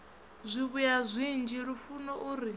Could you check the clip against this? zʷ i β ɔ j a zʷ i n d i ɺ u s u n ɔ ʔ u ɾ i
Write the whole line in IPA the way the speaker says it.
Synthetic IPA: zʷ i β u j a zʷ i n d͡ʒ i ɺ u f u n ɔ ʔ u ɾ i